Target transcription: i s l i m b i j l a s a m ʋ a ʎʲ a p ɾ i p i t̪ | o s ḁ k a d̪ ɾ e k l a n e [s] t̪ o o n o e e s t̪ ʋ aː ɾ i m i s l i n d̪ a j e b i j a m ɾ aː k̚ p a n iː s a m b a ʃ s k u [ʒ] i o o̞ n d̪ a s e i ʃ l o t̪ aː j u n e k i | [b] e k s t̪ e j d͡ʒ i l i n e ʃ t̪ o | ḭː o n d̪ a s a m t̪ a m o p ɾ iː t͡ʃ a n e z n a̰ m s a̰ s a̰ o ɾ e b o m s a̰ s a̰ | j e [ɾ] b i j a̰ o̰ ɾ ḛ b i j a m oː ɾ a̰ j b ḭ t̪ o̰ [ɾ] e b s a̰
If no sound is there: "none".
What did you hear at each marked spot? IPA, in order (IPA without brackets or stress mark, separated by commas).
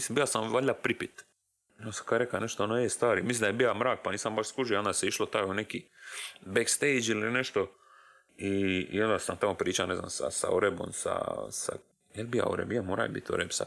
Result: ʃ, ʒ, b, l, ɾ